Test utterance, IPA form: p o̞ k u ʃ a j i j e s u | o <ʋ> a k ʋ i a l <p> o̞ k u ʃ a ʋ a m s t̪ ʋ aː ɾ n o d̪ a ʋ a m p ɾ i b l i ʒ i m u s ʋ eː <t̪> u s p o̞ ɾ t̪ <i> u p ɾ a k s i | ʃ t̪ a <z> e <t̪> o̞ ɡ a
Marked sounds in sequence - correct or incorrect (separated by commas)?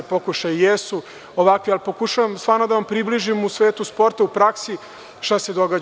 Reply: correct, correct, correct, incorrect, incorrect, incorrect